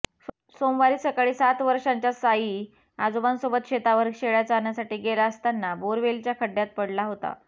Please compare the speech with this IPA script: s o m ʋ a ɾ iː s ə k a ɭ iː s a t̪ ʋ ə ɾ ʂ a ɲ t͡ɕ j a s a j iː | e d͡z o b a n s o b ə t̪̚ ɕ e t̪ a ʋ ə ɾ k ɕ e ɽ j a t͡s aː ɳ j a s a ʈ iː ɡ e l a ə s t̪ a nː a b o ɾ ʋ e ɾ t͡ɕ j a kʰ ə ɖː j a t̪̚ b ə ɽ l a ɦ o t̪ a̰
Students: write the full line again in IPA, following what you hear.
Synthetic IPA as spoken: s o m ʋ a ɾ iː s ə k a ɭ iː s a t̪ ʋ ə ɾ ʂ a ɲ t͡ɕ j a s a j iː | a d͡z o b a n s o b ə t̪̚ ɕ e t̪ a ʋ ə ɾ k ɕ e ɭ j a t͡s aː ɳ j a s a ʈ iː ɡ e l a ə s t̪ a nː a b o ɾ ʋ e l t͡ɕ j a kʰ ə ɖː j a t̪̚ p ə ɽ l a ɦ o t̪ a̰